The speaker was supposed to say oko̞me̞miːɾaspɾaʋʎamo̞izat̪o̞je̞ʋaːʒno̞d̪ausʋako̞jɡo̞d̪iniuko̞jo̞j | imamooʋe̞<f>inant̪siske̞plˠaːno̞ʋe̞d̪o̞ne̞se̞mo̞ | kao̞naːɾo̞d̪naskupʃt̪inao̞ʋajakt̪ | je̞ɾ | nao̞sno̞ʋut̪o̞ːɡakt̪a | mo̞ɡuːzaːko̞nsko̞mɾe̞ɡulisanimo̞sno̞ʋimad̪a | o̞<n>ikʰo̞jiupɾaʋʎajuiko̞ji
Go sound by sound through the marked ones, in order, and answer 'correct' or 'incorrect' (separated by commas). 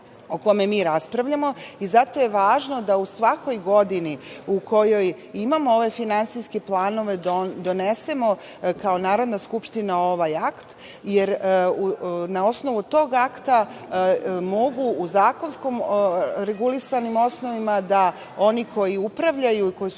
correct, correct